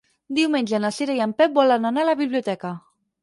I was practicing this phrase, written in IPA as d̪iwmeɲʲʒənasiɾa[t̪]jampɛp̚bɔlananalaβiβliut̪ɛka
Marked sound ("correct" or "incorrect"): incorrect